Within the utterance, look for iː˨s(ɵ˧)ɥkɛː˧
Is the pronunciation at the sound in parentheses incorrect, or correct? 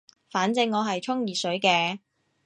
incorrect